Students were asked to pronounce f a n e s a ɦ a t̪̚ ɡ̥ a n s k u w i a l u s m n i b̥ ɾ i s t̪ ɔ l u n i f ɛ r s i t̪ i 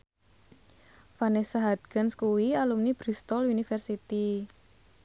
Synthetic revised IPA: f a n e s a ɦ a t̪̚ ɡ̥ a n s k u w i a l u m n i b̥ ɾ i s t̪ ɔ l u n i f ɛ r s i t̪ i

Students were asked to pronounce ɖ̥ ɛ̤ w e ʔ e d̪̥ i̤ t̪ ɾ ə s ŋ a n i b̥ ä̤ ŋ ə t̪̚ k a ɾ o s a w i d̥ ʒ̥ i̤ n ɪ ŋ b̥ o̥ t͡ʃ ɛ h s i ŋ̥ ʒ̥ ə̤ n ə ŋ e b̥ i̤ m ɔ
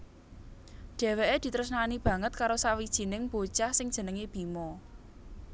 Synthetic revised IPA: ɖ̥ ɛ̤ w e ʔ e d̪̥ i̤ t̪ ɾ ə s n a n i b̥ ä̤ ŋ ə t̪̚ k a ɾ o s a w i d̥ ʒ̥ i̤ n ɪ ŋ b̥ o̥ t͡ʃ a h s ɪ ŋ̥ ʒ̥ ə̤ n ə ŋ e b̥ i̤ m ɔ

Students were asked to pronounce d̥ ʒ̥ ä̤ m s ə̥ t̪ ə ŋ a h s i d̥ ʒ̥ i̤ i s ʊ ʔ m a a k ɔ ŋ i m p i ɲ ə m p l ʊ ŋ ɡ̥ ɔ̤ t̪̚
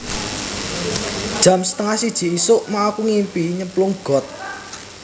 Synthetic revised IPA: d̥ ʒ̥ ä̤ m s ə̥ t̪ ə ŋ a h s i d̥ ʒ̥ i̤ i s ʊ ʔ m a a k u ŋ i m p i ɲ ə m p l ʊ ŋ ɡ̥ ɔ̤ t̪̚

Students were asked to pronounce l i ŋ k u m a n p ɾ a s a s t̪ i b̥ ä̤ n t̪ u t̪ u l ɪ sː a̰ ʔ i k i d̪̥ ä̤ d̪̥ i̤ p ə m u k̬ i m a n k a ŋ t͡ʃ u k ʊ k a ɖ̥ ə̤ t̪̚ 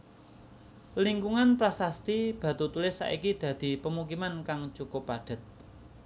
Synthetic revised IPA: l i ŋ k u ŋ a n p ɾ a s a s t̪ i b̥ ä̤ t̪ u t̪ u l ɪ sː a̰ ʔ i k i d̪̥ ä̤ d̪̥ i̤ p ə m u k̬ i m a n k a ŋ t͡ʃ u k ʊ p a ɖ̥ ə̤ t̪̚

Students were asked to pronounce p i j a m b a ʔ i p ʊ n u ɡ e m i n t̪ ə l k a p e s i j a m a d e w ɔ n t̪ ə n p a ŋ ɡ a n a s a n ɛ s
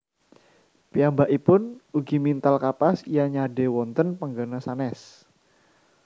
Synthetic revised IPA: p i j a m b a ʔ i p ʊ n u ɡ i m i n t̪ a l k a p a s i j a ɲ a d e w ɔ n t̪ ə n p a ŋ ɡ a n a s a n ɛ s

